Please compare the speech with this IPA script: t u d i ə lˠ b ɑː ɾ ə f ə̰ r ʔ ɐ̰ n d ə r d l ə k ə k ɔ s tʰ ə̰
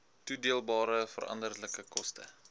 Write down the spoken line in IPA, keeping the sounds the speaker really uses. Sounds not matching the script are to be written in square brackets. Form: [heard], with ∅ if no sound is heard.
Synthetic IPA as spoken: t u d i ə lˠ b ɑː ɾ ə f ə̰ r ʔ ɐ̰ n d ə r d l ə k ə k ɔ s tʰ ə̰